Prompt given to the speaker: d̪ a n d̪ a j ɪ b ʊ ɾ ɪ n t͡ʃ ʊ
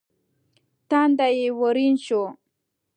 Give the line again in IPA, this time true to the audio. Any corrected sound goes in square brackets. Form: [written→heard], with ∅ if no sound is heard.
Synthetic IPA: [d̪→t̪] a n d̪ a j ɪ [b→w] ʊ ɾ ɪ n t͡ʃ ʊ